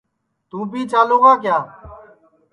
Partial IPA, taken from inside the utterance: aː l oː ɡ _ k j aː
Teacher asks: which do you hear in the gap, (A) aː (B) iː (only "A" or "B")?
A